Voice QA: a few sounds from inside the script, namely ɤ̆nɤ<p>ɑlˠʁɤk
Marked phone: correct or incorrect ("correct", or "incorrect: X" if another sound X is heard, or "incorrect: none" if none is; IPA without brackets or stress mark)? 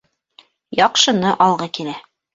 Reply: incorrect: ʔ